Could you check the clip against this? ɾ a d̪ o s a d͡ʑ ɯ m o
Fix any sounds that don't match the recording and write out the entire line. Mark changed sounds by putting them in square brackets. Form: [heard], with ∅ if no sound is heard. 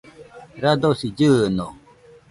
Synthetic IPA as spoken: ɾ a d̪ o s [i] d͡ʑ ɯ [n] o